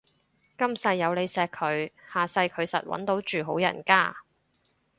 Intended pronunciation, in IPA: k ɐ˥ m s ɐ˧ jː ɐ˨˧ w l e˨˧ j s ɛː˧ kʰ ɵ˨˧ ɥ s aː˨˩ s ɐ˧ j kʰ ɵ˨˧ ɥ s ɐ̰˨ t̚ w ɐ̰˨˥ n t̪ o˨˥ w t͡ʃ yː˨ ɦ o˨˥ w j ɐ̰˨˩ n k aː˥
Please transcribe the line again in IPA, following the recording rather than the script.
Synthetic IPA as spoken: k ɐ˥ m s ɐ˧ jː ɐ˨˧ w l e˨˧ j s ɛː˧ kʰ ɵ˨˧ ɥ h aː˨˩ s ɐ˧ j kʰ ɵ˨˧ ɥ s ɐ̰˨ t̚ w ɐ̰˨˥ n t̪ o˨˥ w t͡ʃ yː˨ ɦ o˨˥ w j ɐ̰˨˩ n k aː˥